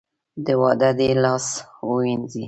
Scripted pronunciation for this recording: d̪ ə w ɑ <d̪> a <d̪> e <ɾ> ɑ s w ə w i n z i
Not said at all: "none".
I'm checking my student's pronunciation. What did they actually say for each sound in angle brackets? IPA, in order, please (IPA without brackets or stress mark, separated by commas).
d̪, d̪, l